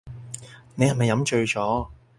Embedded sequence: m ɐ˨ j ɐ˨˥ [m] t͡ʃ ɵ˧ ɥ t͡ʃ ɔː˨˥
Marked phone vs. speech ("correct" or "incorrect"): correct